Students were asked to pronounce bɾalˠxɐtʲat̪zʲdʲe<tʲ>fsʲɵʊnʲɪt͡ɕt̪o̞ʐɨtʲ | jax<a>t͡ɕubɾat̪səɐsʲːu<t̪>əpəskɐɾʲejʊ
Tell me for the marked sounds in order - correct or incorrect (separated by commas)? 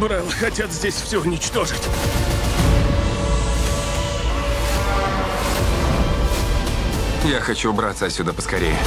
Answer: incorrect, incorrect, incorrect